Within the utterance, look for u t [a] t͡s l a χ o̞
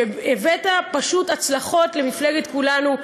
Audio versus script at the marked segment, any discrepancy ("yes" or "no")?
no